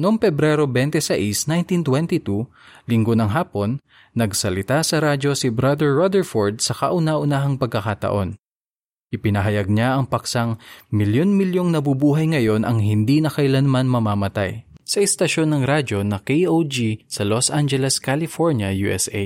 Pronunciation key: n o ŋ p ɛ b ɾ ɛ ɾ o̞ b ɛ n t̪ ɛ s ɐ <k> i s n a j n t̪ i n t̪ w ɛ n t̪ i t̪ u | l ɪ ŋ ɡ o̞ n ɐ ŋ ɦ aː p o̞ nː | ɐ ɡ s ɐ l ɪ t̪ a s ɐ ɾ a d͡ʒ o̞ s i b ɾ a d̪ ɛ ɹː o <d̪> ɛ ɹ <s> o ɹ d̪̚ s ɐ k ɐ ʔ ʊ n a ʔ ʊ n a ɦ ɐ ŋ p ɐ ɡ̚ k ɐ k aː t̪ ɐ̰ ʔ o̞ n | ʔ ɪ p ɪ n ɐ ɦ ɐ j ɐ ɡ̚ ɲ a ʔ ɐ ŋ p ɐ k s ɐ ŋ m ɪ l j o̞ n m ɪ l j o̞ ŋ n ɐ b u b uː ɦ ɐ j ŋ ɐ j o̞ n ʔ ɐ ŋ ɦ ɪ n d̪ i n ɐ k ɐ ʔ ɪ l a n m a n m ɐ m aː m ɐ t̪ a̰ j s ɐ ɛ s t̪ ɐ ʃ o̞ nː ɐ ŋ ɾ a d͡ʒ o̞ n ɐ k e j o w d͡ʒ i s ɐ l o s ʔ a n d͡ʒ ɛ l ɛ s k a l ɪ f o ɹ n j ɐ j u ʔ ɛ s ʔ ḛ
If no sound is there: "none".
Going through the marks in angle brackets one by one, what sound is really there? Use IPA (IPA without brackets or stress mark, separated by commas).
ʔ, d̪, f